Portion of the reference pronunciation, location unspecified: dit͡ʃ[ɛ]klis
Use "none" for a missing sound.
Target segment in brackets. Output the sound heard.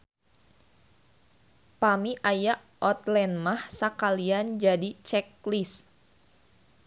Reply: ɛ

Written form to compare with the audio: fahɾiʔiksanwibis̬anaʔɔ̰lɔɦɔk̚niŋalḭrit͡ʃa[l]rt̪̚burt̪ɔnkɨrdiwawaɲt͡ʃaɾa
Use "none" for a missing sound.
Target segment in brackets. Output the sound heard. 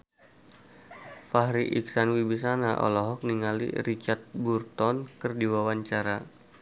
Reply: none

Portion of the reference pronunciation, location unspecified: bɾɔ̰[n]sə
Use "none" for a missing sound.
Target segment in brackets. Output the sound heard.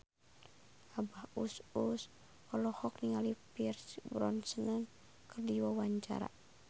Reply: n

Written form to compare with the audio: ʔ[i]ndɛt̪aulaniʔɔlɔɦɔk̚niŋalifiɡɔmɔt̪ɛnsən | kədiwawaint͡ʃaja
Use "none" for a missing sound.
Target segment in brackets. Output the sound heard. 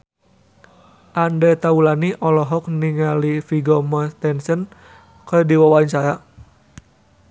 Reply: a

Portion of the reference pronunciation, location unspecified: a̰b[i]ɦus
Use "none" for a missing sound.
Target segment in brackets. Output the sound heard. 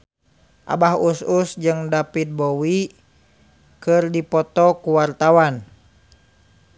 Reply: a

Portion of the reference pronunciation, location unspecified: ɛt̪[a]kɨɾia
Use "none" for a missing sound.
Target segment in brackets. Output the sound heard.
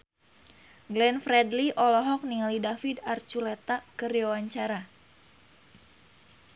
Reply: a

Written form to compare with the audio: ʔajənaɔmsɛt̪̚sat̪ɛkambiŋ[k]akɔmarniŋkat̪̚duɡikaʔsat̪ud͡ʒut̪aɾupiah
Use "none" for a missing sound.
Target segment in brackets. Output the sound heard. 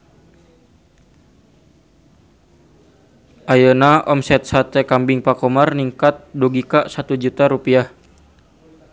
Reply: p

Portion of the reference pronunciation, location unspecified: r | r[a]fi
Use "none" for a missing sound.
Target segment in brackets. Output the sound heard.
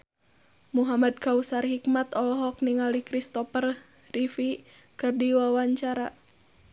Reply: i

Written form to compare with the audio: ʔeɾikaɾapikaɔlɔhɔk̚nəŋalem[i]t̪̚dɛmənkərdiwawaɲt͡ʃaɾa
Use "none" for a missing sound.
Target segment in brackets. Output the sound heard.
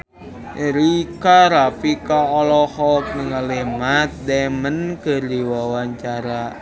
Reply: a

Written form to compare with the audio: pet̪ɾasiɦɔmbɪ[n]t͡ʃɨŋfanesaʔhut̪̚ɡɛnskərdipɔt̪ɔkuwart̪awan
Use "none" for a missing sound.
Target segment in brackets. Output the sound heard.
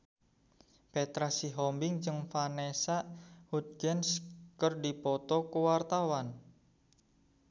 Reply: ŋ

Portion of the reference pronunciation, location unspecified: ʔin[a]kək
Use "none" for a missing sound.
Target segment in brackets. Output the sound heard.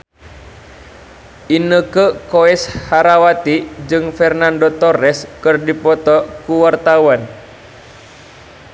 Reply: ə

